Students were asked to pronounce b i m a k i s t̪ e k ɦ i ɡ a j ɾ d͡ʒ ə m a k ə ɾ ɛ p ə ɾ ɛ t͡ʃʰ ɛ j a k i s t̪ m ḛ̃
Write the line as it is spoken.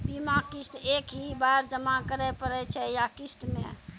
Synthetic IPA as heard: b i m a k i s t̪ e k ɦ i b a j ɾ d͡ʒ ə m a k ə ɾ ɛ p ə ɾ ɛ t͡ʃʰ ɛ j a k i s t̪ m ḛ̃

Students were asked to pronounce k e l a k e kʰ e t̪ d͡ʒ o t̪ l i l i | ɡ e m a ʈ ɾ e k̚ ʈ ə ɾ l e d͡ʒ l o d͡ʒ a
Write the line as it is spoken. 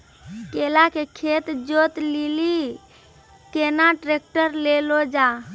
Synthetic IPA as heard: k e l a k e kʰ e t̪ d͡ʒ o t̪ l i l i | k e n a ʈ ɾ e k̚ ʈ ə ɾ l e l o d͡ʒ a

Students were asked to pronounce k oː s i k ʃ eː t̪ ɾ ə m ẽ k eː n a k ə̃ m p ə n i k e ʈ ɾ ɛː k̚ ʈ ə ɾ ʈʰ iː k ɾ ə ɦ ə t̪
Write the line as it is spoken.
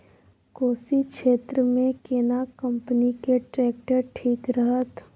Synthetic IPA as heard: k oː s i k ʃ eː t̪ ɾ ə m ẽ k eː n a k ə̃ m p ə n i k e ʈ ɾ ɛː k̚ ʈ ə ɾ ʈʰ iː k ɾ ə ɦ ə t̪

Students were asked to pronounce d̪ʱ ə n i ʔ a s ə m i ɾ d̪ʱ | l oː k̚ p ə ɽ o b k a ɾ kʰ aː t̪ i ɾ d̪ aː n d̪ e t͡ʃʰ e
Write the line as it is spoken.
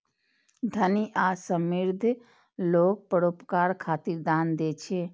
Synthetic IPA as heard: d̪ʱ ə n i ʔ a s ə m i ɾ d̪ʱ | l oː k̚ p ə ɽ o p k a ɾ kʰ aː t̪ i ɾ d̪ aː n d̪ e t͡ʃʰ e

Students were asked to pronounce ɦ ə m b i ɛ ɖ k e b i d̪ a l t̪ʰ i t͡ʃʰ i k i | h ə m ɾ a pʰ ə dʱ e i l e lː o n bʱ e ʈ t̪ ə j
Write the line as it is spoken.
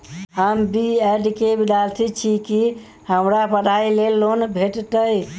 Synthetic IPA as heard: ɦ ə m b i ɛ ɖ k e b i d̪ a l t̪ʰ i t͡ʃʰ i k i | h ə m ɾ a p ə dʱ a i l e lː o n bʱ e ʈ t̪ ə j

